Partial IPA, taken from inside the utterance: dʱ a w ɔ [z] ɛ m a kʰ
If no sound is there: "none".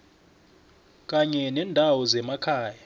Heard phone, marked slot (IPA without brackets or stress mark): z